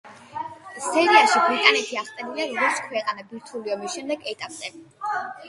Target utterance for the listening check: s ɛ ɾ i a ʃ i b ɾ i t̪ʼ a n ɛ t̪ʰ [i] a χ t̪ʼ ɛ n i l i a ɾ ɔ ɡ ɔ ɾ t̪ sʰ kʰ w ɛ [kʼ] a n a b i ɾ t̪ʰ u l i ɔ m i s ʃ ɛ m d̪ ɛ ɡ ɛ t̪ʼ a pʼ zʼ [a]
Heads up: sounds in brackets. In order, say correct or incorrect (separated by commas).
correct, incorrect, incorrect